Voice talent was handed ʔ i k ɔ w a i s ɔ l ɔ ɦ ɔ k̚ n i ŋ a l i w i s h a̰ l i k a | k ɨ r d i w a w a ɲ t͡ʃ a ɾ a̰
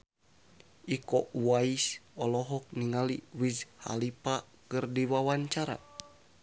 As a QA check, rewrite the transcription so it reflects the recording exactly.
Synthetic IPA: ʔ i k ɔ w a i s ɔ l ɔ ɦ ɔ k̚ n i ŋ a l i w i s h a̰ l i p a | k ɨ r d i w a w a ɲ t͡ʃ a ɾ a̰